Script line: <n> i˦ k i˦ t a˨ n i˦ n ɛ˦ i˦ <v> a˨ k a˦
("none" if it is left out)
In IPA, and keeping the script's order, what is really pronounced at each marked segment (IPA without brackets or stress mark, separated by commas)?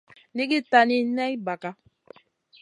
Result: n, b